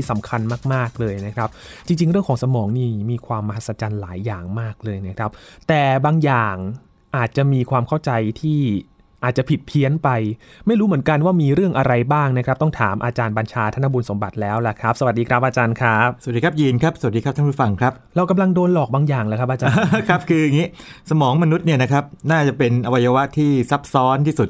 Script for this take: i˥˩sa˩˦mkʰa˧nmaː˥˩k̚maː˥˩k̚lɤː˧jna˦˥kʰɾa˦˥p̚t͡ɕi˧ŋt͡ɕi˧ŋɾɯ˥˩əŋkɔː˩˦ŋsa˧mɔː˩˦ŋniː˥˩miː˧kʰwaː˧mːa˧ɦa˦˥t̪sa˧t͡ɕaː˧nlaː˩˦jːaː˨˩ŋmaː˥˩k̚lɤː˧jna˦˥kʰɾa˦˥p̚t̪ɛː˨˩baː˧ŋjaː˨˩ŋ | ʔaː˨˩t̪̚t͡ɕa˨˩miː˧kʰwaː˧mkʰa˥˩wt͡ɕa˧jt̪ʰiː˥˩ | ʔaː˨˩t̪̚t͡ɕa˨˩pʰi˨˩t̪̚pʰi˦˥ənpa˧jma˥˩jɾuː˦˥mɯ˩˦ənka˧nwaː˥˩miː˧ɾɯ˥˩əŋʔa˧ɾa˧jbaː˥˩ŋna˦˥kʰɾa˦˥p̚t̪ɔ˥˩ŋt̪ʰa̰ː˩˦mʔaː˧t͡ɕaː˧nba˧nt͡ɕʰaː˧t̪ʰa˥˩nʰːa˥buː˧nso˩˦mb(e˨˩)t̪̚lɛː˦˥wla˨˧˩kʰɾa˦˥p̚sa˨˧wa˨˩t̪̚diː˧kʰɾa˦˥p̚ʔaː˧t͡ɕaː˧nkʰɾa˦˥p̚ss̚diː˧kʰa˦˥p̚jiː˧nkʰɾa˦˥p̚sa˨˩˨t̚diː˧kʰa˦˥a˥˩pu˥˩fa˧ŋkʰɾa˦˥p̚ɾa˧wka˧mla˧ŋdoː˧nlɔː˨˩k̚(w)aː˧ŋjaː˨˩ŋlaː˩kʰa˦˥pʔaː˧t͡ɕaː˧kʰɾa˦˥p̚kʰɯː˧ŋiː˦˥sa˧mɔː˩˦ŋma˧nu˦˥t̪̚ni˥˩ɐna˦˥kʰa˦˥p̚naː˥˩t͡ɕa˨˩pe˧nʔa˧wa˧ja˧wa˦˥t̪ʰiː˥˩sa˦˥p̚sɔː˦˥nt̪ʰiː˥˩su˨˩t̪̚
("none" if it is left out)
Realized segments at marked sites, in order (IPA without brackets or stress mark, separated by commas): a˨˩, b